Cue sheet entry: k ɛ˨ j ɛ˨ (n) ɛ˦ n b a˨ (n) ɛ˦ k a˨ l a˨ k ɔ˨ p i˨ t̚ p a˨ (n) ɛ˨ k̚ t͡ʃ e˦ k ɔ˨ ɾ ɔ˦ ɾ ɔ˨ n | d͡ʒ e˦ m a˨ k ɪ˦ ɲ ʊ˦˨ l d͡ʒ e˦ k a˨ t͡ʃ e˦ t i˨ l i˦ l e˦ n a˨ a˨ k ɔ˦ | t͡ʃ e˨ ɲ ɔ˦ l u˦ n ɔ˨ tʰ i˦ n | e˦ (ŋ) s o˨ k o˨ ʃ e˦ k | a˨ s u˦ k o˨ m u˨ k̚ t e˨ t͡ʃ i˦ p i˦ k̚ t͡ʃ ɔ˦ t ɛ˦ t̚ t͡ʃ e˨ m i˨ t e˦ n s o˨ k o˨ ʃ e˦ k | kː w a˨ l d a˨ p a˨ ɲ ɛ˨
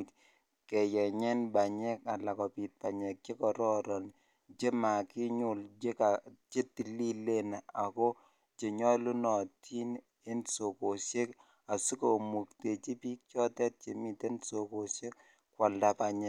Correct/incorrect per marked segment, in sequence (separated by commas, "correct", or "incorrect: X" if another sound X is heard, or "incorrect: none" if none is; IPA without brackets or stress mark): incorrect: ɲ, incorrect: ɲ, incorrect: ɲ, incorrect: n